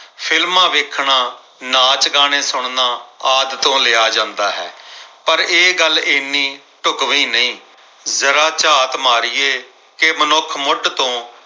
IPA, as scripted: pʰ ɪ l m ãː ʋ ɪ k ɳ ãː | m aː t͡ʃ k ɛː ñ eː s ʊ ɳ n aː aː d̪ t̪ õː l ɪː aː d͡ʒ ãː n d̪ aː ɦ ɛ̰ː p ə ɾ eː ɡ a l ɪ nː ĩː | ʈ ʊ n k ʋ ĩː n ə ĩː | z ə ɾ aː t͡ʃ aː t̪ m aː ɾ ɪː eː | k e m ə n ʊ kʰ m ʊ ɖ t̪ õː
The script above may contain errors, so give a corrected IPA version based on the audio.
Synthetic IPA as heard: pʰ ɪ l m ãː ʋ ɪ kʰ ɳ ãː | n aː t͡ʃ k aː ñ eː s ʊ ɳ n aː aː d̪ t̪ õː l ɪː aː d͡ʒ ãː n d̪ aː ɦ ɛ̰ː p ə ɾ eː ɡ ə l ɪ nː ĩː | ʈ ʊ k ʋ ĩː n ə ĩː | z ə ɾ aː t͡ʃ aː t̪ m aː ɾ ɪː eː | k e m ə n ʊ kʰ m ʊ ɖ t̪ õː